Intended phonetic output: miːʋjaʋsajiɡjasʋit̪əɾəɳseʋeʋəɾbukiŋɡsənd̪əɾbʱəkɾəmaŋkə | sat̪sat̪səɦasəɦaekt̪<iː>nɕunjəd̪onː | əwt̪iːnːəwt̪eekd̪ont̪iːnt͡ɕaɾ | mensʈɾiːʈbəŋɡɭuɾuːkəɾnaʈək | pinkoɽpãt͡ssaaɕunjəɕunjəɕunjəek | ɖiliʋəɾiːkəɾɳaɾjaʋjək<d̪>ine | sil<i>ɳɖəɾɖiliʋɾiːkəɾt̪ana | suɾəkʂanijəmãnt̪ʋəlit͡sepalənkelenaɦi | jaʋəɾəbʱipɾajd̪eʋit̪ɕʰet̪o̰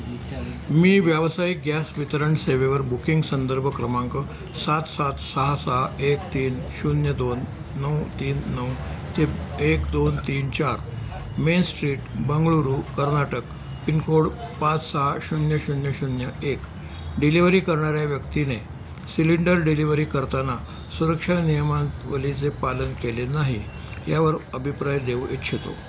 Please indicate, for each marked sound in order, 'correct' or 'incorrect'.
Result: correct, incorrect, correct

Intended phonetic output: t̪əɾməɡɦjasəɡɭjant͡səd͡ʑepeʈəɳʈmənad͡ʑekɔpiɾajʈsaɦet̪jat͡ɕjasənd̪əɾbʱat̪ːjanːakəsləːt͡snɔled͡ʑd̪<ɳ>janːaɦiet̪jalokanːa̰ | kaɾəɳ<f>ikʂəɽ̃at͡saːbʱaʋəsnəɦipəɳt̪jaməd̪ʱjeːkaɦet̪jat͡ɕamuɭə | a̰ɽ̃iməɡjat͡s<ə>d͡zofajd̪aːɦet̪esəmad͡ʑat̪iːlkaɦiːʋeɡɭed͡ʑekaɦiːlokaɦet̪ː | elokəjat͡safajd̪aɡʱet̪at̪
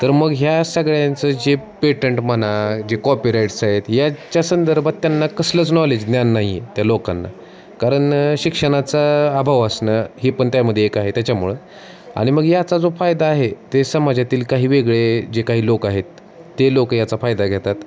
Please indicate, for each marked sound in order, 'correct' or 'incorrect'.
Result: incorrect, incorrect, incorrect

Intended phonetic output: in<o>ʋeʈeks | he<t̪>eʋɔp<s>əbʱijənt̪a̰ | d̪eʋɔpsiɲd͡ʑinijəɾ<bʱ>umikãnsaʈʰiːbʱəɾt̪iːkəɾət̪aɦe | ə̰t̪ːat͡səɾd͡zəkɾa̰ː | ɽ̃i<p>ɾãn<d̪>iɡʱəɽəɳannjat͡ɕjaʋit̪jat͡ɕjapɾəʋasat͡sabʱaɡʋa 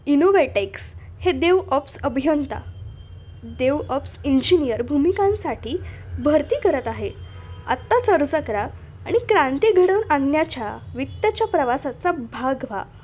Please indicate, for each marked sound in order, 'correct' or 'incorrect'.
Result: correct, incorrect, correct, correct, incorrect, incorrect

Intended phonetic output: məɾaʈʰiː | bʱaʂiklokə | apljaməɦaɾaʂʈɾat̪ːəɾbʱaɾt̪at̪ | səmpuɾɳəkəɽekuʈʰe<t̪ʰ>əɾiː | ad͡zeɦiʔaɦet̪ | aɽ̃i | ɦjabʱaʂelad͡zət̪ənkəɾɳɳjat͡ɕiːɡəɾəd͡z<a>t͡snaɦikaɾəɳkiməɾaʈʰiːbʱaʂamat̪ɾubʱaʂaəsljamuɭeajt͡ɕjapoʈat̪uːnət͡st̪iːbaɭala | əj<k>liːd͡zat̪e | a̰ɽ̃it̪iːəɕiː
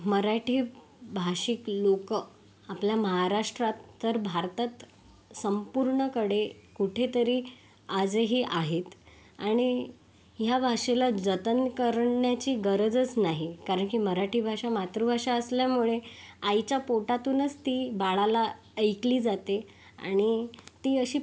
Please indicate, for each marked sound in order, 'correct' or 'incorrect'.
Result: incorrect, incorrect, correct

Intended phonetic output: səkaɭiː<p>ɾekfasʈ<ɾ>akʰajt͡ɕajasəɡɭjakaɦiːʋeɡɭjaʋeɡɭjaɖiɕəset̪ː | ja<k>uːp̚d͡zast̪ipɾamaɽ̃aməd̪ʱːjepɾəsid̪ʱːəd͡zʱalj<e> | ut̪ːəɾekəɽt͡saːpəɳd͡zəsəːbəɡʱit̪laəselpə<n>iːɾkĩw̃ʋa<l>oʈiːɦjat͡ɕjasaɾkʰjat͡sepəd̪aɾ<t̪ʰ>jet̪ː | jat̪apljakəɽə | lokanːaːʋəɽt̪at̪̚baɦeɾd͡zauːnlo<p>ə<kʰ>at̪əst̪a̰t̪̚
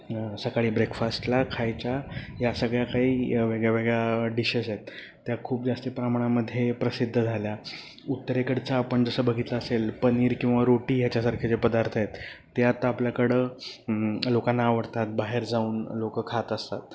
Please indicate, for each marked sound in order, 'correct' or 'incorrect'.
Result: incorrect, incorrect, incorrect, incorrect, correct, incorrect, correct, incorrect, correct

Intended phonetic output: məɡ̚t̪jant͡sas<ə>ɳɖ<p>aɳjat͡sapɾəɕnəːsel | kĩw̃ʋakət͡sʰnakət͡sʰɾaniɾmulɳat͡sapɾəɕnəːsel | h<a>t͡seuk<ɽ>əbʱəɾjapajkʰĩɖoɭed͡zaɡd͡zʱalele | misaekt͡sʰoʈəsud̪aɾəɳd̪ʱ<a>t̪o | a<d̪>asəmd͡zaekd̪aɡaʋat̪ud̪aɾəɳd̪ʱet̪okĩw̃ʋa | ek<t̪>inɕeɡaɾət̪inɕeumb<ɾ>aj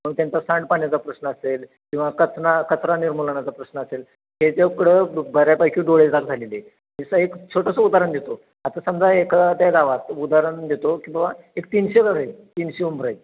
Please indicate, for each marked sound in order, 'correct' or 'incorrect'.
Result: incorrect, correct, incorrect, correct, incorrect, incorrect, correct, correct

